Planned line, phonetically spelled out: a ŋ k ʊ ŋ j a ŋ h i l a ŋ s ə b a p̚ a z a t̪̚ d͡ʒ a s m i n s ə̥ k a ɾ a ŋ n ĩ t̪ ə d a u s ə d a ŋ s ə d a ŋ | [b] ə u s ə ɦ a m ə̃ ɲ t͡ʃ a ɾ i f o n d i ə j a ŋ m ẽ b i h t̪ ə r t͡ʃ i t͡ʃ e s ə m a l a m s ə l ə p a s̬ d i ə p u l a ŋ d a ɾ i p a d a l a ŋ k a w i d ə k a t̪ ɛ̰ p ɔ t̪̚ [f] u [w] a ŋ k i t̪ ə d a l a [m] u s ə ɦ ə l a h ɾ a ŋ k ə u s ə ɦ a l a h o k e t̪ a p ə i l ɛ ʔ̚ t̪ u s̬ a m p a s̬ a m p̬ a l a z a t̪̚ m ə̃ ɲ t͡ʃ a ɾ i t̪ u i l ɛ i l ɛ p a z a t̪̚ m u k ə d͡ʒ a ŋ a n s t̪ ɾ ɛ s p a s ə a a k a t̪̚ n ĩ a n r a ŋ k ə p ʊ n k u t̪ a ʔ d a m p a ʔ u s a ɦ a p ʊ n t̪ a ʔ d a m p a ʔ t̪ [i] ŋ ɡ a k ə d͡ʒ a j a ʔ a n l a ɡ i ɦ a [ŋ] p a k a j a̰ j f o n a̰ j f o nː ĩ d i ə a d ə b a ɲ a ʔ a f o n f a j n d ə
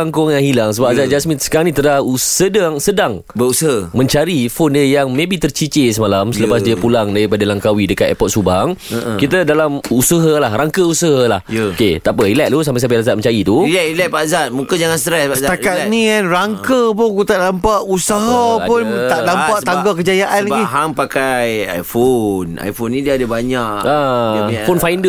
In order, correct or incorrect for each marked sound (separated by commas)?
correct, incorrect, incorrect, correct, incorrect, correct